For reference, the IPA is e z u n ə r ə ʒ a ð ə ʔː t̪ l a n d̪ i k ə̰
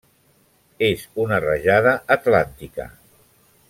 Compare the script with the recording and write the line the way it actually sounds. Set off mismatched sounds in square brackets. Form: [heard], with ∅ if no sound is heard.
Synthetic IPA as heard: e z u n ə r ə ʒ a ð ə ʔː t̪ l a n [t̪] i k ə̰